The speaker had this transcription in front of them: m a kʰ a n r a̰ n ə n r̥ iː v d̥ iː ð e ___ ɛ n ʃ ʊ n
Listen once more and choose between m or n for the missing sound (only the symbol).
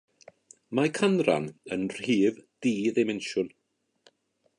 m